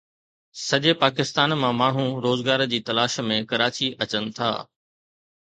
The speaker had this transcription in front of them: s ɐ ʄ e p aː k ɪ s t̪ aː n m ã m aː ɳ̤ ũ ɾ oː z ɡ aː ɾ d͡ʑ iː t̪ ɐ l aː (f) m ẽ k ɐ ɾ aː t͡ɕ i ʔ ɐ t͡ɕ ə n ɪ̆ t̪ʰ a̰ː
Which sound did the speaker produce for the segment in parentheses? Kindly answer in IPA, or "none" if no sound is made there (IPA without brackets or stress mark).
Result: ʃ